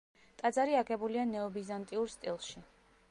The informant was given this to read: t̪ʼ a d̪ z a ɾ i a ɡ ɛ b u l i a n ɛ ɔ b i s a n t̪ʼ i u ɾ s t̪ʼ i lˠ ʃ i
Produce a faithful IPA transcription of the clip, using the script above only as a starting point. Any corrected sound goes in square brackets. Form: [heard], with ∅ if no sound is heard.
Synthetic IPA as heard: t̪ʼ a d̪ z a ɾ i a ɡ ɛ b u l i a n ɛ ɔ b i [z] a n t̪ʼ i u ɾ s t̪ʼ i lˠ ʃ i